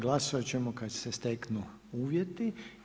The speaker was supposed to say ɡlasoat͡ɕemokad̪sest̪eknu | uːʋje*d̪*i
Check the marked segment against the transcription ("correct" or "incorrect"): incorrect